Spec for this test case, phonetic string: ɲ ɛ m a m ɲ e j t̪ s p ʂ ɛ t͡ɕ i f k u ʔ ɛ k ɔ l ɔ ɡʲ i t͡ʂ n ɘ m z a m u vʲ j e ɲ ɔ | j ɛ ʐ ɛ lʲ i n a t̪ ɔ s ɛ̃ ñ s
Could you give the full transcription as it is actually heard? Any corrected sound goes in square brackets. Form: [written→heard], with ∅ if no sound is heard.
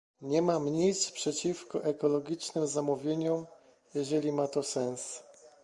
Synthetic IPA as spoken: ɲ ɛ m a m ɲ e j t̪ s p ʂ ɛ t͡ɕ i f k [u→ɔ] ʔ ɛ k ɔ l ɔ ɡʲ i t͡ʂ n ɘ m z a m u vʲ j e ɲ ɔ | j ɛ ʐ ɛ lʲ i [n→m] a t̪ ɔ s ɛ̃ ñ s